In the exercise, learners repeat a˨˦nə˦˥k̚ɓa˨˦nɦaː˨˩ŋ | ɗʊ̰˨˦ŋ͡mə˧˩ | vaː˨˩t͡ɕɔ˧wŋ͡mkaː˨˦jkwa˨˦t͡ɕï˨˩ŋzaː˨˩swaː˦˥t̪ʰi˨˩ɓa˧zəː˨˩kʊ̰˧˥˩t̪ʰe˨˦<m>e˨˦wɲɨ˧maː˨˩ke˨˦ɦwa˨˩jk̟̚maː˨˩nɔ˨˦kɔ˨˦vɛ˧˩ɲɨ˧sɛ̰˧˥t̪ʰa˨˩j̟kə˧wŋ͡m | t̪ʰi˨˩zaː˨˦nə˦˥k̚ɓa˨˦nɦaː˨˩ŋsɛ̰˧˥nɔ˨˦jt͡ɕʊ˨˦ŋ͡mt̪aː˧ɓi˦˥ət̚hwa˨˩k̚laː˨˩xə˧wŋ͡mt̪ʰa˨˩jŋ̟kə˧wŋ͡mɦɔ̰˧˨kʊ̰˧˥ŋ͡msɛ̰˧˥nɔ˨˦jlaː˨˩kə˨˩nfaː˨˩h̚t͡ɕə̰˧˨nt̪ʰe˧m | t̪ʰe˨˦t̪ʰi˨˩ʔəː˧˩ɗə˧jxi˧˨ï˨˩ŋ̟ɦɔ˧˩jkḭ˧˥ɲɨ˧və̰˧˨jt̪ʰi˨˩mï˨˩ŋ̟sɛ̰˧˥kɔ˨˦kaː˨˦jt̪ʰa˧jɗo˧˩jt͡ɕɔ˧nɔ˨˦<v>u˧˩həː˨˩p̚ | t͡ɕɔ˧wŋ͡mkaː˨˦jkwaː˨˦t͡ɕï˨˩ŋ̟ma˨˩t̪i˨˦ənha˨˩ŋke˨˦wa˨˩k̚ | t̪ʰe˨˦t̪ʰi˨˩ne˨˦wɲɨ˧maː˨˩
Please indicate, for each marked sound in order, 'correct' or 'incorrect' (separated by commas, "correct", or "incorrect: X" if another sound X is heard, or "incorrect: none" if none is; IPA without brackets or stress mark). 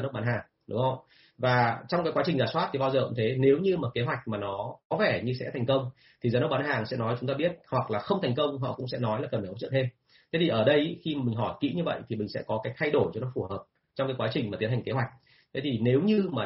incorrect: n, incorrect: f